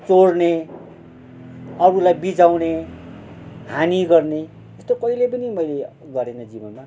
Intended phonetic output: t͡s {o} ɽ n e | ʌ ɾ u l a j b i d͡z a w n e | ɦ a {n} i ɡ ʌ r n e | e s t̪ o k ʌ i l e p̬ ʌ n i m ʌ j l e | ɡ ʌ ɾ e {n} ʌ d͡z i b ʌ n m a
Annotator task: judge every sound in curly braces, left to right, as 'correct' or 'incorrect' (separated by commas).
correct, correct, correct